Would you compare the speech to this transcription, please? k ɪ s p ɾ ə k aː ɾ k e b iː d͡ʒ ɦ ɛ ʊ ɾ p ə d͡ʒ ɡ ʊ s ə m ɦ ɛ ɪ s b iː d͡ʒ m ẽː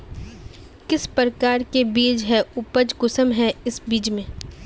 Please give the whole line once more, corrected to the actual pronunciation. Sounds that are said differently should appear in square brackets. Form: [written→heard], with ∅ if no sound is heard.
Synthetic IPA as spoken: k ɪ s p ɾ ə k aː ɾ k e b iː d͡ʒ ɦ ɛ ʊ [ɾ→∅] p ə d͡ʒ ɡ ʊ s ə m ɦ ɛ ɪ s b iː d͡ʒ m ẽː